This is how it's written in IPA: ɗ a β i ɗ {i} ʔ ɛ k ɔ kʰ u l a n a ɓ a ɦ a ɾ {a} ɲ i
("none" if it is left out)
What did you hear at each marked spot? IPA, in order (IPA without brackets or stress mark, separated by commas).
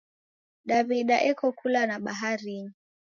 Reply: a, i